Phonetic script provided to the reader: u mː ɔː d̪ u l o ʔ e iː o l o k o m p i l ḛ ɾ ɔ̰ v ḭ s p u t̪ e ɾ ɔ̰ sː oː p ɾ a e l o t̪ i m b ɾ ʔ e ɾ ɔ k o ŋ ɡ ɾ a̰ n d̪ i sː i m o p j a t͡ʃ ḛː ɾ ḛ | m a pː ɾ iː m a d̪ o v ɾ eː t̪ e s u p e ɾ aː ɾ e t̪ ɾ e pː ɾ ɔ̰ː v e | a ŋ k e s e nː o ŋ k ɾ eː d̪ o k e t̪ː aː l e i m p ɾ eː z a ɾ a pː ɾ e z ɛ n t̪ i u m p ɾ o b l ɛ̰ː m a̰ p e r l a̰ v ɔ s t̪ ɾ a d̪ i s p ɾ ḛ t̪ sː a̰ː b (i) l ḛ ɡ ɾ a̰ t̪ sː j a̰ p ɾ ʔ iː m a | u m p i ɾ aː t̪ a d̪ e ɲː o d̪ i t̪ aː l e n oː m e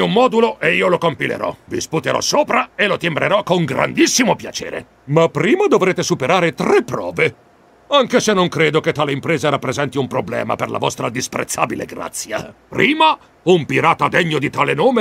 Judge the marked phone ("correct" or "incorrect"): correct